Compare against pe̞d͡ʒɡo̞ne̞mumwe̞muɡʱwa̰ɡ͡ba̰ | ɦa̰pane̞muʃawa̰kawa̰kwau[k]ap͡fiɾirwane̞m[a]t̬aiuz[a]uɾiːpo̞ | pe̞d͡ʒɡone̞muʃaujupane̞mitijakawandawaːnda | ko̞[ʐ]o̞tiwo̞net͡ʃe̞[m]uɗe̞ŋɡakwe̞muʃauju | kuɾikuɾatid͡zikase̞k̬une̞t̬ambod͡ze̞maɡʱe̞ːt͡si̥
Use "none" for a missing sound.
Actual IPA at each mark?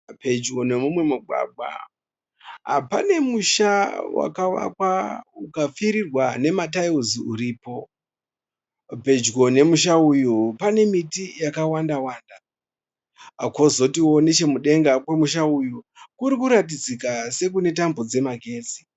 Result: k, a, i, z, m

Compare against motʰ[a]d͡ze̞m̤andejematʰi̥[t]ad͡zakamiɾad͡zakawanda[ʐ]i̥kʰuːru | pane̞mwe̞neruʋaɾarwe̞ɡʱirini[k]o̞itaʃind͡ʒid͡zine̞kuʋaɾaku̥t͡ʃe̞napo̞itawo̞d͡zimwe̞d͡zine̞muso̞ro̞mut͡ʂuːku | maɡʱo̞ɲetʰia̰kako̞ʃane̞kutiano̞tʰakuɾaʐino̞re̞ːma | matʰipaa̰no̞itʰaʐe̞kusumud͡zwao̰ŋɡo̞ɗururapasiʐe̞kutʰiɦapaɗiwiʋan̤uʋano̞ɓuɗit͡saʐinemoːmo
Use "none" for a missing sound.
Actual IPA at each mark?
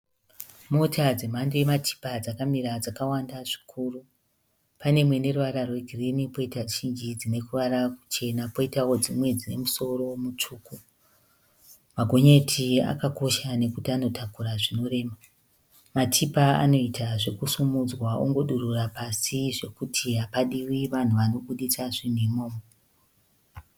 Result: a, p, ʐ, p

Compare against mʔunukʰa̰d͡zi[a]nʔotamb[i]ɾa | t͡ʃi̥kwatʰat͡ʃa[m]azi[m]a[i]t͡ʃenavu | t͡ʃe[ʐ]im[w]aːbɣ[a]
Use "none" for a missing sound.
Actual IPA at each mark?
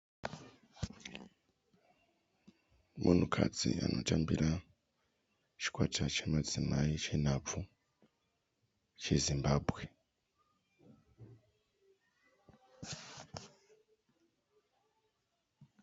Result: a, i, m, m, i, z, b, e

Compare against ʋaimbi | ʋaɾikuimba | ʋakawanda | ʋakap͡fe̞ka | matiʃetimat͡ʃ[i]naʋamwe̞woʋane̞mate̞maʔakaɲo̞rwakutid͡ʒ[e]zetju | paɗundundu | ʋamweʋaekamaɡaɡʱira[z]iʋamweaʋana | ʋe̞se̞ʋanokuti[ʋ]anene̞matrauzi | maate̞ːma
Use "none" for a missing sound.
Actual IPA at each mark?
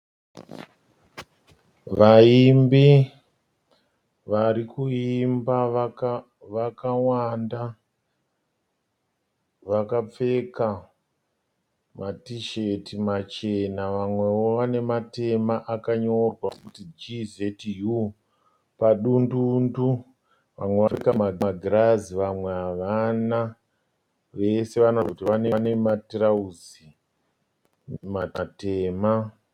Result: e, i, z, ʋ

